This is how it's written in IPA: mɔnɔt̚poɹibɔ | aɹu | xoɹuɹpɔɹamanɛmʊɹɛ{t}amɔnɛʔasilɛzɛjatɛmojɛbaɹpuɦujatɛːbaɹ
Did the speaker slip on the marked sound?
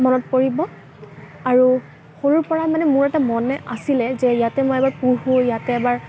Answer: no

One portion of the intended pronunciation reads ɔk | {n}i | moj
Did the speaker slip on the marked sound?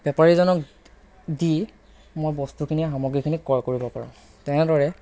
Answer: yes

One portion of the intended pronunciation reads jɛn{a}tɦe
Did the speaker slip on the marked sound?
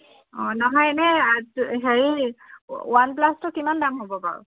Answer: yes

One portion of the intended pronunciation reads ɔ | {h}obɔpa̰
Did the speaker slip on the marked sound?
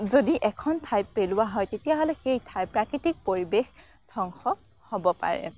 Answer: no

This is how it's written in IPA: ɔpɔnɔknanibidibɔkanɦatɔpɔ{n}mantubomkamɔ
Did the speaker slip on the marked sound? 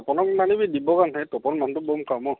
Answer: no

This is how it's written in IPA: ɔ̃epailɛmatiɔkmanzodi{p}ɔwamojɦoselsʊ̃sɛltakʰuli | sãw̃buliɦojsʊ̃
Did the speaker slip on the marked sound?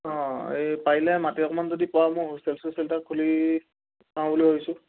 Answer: no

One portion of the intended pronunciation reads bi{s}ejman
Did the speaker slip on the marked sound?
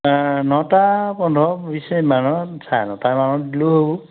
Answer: no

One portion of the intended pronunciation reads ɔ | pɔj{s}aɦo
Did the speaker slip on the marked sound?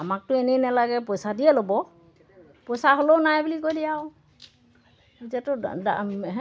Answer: no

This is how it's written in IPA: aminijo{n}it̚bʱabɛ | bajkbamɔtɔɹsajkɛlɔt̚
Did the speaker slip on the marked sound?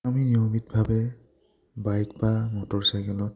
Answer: yes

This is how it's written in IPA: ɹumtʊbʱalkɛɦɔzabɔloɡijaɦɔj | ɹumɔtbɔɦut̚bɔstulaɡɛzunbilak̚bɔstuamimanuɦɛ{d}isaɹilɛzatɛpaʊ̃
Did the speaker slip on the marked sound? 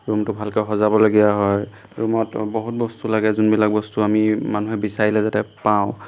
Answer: yes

